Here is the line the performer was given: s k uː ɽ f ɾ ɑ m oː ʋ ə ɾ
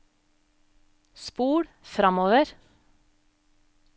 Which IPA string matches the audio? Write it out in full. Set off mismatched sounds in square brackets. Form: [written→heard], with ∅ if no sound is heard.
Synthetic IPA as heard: s [k→p] uː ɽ f ɾ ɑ m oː ʋ ə ɾ